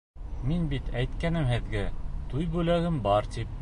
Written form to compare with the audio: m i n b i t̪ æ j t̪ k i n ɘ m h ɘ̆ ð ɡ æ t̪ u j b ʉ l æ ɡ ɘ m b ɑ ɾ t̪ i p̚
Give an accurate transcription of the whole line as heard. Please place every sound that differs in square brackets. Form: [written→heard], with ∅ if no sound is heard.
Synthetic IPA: m i n b i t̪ æ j t̪ k [i→æ] n ɘ m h ɘ̆ ð ɡ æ t̪ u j b ʉ l æ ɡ ɘ m b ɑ ɾ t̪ i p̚